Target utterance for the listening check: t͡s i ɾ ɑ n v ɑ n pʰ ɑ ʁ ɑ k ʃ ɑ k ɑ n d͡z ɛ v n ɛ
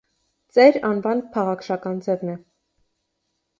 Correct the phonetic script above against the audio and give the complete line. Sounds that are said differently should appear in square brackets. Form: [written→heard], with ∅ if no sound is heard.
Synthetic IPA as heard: t͡s [i→ɛ] ɾ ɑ n v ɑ n pʰ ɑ ʁ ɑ k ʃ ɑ k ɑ n d͡z ɛ v n ɛ